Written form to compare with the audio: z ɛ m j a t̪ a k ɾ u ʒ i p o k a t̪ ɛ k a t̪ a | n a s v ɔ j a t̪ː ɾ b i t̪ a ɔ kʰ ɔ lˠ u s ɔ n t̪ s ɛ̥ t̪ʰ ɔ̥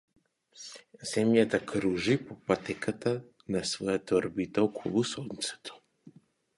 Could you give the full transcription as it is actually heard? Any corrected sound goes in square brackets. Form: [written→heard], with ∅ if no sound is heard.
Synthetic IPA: z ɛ m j a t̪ a k ɾ u ʒ i p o [k→p] a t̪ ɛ k a t̪ a | n a s v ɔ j a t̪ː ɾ b i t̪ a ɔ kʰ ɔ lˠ u s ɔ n t̪ s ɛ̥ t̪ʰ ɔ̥